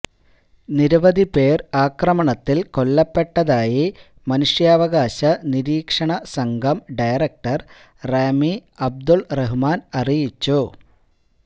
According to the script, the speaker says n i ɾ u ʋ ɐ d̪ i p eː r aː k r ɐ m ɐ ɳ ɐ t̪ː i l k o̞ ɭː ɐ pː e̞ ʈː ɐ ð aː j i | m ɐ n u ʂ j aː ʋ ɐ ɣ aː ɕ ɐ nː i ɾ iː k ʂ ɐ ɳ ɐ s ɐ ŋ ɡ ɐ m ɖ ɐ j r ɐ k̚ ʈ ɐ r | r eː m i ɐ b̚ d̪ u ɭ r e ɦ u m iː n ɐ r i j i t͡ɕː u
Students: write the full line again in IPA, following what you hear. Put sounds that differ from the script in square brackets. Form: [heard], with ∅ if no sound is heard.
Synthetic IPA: n i ɾ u ʋ ɐ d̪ i p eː r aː k r ɐ m ɐ ɳ ɐ t̪ː i l k o̞ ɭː ɐ pː e̞ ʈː ɐ ð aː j i | m ɐ n u ʂ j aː ʋ ɐ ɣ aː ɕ ɐ [n] i ɾ iː k ʂ ɐ ɳ ɐ s ɐ ŋ ɡ ɐ m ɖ ɐ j r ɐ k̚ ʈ ɐ r | r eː m i ɐ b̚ d̪ u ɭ r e ɦ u m [aː] n ɐ r i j i t͡ɕː u